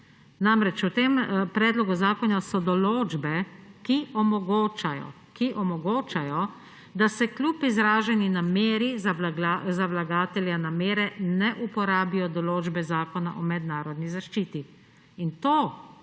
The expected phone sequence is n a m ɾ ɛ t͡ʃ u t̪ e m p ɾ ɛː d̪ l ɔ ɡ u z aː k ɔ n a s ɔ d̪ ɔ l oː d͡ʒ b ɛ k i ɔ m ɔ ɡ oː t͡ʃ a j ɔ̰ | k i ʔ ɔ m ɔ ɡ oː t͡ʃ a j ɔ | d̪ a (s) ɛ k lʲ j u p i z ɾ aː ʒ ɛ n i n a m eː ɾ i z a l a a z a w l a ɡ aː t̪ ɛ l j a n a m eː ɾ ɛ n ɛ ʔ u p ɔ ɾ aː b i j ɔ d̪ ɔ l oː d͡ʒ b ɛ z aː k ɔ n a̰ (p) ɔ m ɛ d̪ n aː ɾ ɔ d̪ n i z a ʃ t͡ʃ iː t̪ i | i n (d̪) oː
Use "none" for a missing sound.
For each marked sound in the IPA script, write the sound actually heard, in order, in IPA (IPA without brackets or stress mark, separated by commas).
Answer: s, ʔ, t̪